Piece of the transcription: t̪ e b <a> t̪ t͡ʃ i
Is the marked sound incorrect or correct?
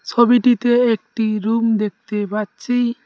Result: correct